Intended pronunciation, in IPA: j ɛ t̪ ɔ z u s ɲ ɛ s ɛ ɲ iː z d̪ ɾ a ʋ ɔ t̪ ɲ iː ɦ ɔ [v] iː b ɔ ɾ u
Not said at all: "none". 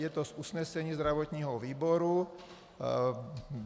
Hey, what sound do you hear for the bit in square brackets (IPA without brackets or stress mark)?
ʋ